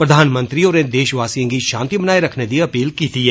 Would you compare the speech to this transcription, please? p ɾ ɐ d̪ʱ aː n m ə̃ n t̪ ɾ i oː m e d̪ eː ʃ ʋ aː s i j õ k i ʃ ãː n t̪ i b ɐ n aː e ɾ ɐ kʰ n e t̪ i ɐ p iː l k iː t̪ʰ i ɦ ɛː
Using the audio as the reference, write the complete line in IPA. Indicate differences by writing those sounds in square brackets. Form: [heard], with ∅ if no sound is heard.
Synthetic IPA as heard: p ɾ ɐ d̪ʱ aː n m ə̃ n t̪ ɾ i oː [n] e d̪ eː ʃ ʋ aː s i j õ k i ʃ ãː n t̪ i b ɐ n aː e ɾ ɐ kʰ n e [d̪] i ɐ p iː l k iː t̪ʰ i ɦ ɛː